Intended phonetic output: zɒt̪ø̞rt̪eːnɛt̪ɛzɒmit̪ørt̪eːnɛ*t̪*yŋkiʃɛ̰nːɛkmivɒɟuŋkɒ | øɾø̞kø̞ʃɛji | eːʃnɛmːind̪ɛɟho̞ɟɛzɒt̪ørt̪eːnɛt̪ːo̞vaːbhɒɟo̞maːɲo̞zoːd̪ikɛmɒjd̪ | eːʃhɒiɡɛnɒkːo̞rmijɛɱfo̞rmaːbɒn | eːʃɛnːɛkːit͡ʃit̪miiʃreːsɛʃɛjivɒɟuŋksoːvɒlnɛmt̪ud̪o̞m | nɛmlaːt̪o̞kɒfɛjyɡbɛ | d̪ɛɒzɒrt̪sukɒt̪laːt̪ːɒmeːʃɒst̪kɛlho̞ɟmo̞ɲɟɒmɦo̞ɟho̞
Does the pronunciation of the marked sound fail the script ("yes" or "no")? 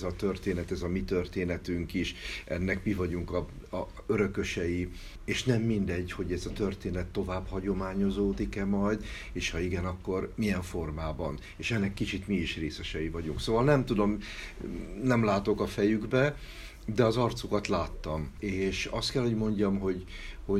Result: no